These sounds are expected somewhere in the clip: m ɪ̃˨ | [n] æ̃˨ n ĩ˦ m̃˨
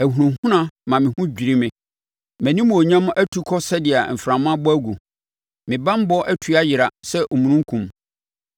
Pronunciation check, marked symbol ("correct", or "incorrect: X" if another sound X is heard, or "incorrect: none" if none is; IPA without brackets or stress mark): incorrect: m